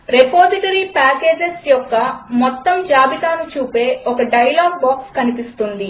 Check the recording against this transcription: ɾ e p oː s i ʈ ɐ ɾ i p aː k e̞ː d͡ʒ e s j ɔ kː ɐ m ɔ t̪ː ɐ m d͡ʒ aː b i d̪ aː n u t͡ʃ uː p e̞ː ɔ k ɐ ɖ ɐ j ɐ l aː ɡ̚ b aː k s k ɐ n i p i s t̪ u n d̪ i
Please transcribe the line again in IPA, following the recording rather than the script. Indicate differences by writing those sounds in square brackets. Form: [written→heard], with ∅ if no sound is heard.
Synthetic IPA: ɾ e p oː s i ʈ ɐ ɾ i p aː k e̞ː d͡ʒ e s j ɔ kː ɐ m ɔ t̪ː ɐ m d͡ʒ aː b i [d̪→t̪] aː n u t͡ʃ uː p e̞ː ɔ k ɐ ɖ ɐ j ɐ l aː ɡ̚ b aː k s k ɐ n i p i s t̪ u n d̪ i